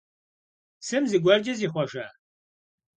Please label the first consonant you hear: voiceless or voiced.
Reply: voiceless